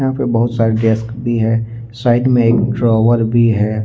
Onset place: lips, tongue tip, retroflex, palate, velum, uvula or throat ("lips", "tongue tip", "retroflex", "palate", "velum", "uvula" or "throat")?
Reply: throat